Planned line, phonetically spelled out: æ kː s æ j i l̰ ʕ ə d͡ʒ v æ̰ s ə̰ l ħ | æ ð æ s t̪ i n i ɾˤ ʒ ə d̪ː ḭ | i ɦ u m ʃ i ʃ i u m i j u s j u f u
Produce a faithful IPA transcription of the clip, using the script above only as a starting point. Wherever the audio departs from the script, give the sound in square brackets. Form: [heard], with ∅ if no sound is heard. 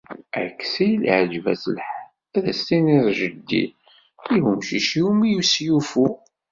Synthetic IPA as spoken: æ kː s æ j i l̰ ʕ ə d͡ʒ v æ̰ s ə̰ l ħ | æ ð æ s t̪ i n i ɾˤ ʒ ə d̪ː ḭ | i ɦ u m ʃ i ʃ i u m i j u s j u f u

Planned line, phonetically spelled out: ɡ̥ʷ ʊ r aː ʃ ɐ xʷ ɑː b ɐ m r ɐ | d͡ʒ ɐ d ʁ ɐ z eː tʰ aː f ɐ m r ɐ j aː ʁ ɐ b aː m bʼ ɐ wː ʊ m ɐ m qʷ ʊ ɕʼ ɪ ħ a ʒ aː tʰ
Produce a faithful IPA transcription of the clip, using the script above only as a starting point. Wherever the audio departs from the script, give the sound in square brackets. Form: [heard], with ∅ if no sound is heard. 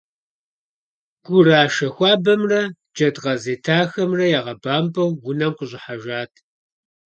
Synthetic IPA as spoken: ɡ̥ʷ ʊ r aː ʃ ɐ xʷ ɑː b ɐ m r ɐ | d͡ʒ ɐ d ʁ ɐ z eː tʰ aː [x] ɐ m r ɐ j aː ʁ ɐ b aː m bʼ ɐ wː ʊ [n] ɐ m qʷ ʊ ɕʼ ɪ ħ a ʒ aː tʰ

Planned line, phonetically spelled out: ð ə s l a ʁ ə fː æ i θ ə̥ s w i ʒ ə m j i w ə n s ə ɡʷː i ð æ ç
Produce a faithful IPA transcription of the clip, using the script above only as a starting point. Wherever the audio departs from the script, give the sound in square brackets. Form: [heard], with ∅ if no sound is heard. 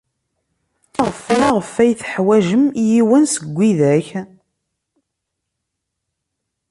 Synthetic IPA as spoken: [ʁ] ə [f] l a ʁ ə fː æ [j] θ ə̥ [ħ] w [æ] ʒ ə m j i w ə n s ə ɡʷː i ð æ ç

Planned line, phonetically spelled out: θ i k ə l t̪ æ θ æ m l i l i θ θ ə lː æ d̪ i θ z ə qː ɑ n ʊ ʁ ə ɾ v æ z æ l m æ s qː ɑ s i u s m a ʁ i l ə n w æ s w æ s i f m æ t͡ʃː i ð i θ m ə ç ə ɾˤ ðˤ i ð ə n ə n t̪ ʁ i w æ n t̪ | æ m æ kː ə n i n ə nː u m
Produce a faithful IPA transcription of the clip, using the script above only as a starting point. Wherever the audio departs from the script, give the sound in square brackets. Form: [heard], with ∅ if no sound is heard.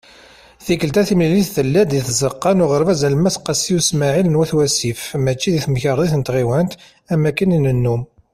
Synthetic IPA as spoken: θ i k ə l t̪ æ θ [i] m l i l i θ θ ə lː æ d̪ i θ z ə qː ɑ n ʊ ʁ ə ɾ v æ z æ l m æ s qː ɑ s i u s m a [ʕ] i l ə n w æ [θ] w æ s i f m æ t͡ʃː i ð i θ m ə ç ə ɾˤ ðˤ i [θ] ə n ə [∅] t̪ ʁ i w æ n t̪ | æ m æ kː ə n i n ə nː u m

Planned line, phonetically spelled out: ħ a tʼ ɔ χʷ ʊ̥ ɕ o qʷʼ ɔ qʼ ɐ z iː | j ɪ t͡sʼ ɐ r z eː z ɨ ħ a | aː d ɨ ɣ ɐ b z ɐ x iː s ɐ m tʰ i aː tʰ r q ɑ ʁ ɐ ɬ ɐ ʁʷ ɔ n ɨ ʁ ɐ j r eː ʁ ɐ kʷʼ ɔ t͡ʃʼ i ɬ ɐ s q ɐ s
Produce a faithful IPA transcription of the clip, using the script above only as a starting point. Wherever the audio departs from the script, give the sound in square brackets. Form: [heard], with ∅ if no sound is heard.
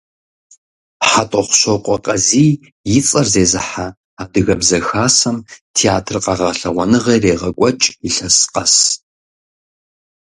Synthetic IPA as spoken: ħ a tʼ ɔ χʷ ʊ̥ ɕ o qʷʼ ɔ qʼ ɐ z iː | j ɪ t͡sʼ ɐ r z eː z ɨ ħ a | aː d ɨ ɣ ɐ b z ɐ x [aː] s ɐ m tʰ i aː tʰ r q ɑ ʁ ɐ ɬ ɐ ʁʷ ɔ n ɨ ʁ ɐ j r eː ʁ ɐ kʷʼ ɔ t͡ʃʼ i ɬ ɐ s q ɐ s

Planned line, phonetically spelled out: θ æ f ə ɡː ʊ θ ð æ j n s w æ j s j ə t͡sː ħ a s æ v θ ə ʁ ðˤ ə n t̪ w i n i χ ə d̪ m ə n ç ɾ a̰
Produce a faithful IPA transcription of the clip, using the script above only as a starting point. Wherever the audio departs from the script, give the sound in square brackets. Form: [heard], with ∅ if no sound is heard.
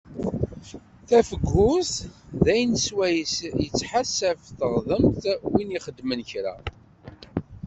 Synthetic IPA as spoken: θ æ f ə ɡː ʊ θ ð æ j n s w æ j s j ə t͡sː ħ a s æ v θ ə ʁ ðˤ ə [m] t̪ w i n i χ ə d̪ m ə n ç ɾ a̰

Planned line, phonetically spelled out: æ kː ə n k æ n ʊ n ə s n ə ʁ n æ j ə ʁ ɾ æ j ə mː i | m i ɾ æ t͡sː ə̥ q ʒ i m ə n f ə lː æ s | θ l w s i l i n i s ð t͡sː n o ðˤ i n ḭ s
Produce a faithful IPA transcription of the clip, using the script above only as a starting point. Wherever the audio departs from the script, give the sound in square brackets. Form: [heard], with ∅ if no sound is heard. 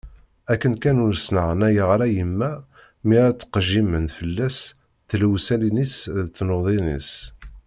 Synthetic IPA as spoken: æ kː ə n k æ n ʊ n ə s n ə ʁ n æ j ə ʁ ɾ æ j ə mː [æ] | m i ɾ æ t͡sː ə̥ q ʒ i m ə n f ə lː æ s | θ l w s [æ] l i n i s ð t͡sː n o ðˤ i n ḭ s

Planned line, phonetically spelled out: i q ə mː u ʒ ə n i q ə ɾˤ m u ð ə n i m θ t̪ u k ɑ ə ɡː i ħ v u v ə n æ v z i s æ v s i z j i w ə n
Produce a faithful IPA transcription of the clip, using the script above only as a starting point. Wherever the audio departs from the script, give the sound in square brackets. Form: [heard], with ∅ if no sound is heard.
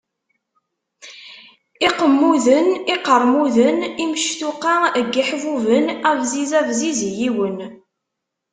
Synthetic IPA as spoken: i q ə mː u [ð] ə n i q ə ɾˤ m u ð ə n i m [ʃ] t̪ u [q] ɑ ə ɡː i ħ v u v ə n æ v z i [z] æ v [z] i z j i w ə n

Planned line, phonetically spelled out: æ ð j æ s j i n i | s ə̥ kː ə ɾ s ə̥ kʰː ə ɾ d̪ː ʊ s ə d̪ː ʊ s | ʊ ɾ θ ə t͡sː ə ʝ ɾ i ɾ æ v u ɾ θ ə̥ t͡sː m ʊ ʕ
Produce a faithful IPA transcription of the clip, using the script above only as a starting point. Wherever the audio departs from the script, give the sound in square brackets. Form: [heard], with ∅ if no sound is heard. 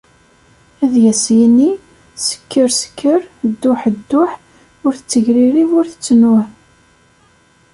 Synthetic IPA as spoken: æ ð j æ s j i n i | s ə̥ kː ə ɾ s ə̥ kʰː ə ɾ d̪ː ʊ [ħ] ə d̪ː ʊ [ħ] | ʊ ɾ θ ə t͡sː ə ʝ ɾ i ɾ [i] v [ʊ] ɾ θ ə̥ t͡sː [n] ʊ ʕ

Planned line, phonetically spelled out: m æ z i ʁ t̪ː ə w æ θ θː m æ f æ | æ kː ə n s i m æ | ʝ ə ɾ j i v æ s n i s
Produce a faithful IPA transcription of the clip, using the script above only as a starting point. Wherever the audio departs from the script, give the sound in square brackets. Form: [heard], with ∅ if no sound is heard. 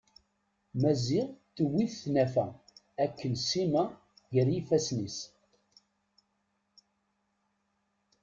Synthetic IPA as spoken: m æ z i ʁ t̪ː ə w [i] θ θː [n] æ f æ | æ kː ə n s i m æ | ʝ ə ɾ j i [f] æ s n i s

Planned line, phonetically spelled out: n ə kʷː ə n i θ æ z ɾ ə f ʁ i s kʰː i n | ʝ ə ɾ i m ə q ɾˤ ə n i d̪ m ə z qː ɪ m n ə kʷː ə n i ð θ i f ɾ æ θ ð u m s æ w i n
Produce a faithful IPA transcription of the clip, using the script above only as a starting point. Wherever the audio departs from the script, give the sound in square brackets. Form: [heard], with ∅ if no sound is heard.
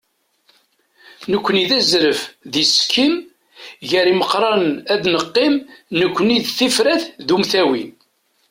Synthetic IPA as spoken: n ə kʷː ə n i [ð] æ z ɾ ə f [ð] i s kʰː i [m] | ʝ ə ɾ i m ə q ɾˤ [ɑ] n [æ] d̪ [n] ə [∅] qː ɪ m n ə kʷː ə n i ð θ i f ɾ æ θ ð u m [θ] æ w i n

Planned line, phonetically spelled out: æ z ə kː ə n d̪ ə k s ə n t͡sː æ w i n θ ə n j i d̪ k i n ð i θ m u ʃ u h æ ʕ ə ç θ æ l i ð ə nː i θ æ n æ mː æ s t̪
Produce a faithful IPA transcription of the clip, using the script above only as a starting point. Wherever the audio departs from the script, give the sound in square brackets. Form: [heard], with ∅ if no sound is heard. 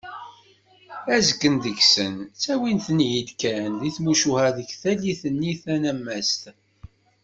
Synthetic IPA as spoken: æ z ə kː ə n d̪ ə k s ə n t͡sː æ w i n θ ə n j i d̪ k [æ] n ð i θ m u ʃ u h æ [ð] ə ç θ æ l i [θ] ə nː i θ æ n æ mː æ s t̪

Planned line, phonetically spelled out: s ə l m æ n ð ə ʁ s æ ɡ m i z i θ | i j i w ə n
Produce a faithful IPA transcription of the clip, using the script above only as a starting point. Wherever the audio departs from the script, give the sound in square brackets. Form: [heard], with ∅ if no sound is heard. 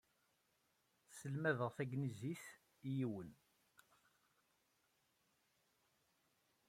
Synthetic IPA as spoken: s ə l m æ [∅] ð ə ʁ [θ] æ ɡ [n] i z i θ | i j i w ə n

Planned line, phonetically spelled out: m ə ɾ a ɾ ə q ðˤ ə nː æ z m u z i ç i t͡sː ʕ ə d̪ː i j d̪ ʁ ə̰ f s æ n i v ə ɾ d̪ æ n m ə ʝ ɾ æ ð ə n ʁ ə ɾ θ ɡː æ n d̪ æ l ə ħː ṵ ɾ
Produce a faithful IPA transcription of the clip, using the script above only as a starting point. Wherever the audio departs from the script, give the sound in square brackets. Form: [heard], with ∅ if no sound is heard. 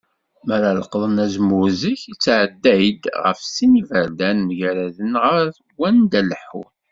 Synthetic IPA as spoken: m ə ɾ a [l] ə q ðˤ ə [n] æ z m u z i ç i t͡sː ʕ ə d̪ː [æ] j d̪ ʁ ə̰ f s [i] n i v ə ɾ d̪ æ n m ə ʝ ɾ æ ð ə n ʁ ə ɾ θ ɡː æ n d̪ æ l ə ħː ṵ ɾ

